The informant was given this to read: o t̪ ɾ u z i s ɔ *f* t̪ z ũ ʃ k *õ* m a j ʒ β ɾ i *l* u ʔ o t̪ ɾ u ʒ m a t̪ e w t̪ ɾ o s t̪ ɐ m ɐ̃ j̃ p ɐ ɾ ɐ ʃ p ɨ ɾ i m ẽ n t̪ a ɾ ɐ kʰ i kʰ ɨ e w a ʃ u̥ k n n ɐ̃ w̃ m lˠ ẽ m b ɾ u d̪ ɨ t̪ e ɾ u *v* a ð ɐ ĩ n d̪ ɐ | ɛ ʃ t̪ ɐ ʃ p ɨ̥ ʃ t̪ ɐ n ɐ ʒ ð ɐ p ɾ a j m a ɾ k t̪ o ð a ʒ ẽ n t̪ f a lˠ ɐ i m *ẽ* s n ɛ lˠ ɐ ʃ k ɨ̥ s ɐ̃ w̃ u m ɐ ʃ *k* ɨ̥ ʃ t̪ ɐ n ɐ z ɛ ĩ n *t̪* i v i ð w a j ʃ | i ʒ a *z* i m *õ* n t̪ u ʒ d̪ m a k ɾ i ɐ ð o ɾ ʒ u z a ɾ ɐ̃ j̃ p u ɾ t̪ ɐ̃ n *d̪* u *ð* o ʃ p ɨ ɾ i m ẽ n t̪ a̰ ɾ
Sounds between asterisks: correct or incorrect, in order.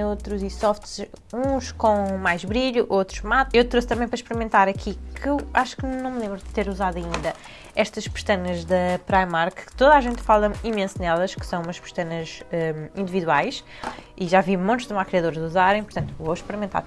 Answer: correct, correct, incorrect, incorrect, correct, incorrect, incorrect, incorrect, correct, incorrect, incorrect

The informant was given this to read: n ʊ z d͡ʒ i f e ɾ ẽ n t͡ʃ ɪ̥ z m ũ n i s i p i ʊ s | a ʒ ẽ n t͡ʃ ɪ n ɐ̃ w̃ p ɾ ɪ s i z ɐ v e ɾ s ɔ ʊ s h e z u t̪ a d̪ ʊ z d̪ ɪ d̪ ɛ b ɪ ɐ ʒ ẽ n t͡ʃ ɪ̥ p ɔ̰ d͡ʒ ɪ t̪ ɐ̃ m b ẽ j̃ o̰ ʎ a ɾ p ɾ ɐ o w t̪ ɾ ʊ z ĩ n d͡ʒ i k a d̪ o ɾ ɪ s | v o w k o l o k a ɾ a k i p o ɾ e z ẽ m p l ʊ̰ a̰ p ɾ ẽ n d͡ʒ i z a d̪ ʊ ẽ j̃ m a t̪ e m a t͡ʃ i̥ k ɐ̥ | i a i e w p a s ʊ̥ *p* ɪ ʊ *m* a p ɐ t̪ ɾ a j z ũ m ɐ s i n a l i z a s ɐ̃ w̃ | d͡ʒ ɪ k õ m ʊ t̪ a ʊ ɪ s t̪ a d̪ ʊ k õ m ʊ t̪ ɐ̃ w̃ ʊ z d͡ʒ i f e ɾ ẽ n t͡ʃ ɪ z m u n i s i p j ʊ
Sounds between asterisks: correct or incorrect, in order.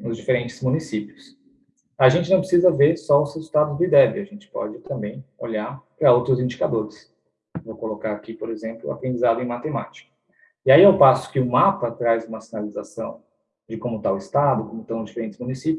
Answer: incorrect, correct

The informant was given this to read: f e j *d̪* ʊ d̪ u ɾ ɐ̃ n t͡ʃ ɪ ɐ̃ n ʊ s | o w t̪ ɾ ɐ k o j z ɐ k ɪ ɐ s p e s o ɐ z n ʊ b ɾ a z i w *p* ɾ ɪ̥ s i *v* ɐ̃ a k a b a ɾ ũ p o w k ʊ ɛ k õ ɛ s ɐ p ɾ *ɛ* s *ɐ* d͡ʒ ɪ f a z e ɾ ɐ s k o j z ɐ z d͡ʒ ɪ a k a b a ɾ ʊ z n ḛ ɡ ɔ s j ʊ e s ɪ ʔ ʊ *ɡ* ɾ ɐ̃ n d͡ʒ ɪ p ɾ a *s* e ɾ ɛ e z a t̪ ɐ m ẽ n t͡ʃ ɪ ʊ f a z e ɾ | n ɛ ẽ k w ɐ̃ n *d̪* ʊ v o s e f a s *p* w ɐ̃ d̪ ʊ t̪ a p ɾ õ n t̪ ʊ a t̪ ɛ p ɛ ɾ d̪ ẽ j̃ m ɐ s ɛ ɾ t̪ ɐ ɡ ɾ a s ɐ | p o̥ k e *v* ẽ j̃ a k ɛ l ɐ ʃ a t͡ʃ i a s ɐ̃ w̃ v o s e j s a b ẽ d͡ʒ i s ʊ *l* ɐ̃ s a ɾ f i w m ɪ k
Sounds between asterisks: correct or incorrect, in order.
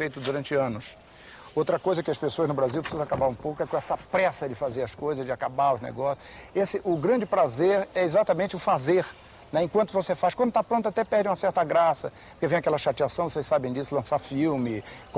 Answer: incorrect, correct, incorrect, correct, correct, correct, incorrect, incorrect, incorrect, correct, correct

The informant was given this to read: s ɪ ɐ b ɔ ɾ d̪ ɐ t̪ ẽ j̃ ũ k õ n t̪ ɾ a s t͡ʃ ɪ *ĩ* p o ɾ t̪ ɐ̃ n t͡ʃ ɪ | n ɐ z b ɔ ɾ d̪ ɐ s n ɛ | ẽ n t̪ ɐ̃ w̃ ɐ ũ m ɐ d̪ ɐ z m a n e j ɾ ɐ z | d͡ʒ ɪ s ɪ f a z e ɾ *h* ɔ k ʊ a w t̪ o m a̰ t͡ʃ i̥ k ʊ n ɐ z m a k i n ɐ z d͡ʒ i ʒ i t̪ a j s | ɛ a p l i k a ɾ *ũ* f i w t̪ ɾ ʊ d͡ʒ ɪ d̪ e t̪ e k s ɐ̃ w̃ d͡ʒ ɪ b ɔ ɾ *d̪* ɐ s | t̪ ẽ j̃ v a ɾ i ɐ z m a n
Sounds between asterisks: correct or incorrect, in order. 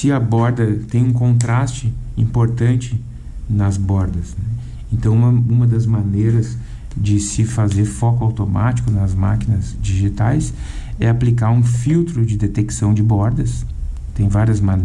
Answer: correct, incorrect, correct, correct

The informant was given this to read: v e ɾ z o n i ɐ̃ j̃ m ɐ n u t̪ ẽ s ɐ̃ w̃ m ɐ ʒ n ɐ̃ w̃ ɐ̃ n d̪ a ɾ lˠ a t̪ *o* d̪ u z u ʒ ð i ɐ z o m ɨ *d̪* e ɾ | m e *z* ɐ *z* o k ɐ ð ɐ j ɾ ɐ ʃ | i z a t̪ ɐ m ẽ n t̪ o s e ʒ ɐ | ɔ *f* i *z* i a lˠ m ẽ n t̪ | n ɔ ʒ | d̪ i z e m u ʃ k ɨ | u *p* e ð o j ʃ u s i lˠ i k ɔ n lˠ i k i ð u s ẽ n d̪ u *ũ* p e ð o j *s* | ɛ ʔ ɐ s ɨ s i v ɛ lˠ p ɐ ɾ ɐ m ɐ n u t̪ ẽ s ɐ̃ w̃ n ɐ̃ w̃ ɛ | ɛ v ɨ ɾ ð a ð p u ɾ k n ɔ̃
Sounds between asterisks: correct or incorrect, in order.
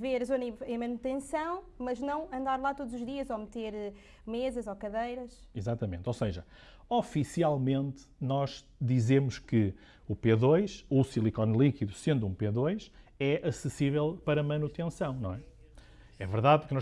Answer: correct, incorrect, correct, correct, correct, incorrect, correct, correct, incorrect

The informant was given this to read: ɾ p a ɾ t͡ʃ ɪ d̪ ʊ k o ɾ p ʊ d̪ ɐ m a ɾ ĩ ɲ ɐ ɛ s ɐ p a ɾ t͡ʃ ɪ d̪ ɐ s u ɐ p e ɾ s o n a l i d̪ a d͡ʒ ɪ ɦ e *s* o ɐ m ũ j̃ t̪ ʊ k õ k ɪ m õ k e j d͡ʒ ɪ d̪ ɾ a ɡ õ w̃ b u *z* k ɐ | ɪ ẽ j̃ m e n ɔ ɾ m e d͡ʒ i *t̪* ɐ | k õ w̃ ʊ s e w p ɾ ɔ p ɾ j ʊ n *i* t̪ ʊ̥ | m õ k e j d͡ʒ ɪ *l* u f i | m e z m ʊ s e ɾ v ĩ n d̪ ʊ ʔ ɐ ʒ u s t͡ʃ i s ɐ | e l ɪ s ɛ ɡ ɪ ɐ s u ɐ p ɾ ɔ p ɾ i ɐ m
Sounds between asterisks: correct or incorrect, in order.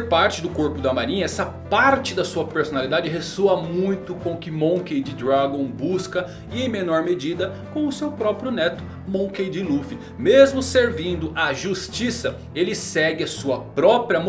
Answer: correct, incorrect, incorrect, incorrect, correct

